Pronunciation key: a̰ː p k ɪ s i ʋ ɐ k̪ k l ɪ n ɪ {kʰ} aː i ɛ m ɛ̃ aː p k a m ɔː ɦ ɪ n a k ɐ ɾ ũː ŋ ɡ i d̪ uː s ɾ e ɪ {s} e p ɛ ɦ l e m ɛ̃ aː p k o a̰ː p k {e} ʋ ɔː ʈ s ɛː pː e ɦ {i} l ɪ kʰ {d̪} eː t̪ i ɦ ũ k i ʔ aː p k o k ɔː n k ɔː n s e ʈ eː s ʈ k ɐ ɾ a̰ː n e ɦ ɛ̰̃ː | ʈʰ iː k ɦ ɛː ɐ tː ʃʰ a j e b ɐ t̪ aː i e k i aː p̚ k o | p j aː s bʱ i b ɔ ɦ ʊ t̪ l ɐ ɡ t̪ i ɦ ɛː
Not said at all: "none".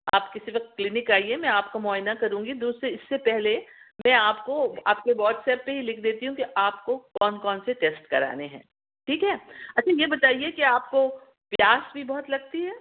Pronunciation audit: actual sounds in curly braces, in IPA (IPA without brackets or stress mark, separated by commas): k, sː, e, i, d̪